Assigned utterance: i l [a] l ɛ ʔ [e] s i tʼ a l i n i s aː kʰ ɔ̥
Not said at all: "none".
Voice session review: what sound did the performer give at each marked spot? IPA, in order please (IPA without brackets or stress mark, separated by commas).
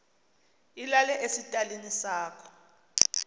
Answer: a, e